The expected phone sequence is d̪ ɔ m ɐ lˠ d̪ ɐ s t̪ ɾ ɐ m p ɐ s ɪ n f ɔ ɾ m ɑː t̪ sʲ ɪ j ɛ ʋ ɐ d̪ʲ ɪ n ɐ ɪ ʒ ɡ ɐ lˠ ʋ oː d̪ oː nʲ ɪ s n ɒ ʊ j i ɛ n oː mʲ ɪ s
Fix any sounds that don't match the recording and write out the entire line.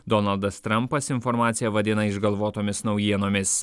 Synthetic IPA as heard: d̪ ɔ n ɐ lˠ d̪ ɐ s t̪ ɾ ɐ m p ɐ s ɪ n f ɔ ɾ m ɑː t̪ sʲ ɪ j ɛ ʋ ɐ d̪ʲ ɪ n ɐ ɪ ʒ ɡ ɐ lˠ ʋ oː t̪ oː mʲ ɪ s n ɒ ʊ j i ɛ n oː mʲ ɪ s